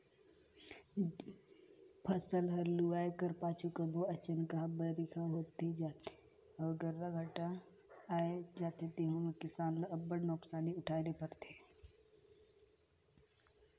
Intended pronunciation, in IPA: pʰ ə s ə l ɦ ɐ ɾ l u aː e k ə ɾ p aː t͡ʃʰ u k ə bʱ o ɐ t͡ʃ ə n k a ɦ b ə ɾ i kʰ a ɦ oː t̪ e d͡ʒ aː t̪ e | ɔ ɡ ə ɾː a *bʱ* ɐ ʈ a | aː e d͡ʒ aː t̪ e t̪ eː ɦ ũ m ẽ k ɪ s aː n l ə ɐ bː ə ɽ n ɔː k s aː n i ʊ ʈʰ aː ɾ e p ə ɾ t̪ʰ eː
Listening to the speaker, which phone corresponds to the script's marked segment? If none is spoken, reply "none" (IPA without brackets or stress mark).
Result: ɡʱ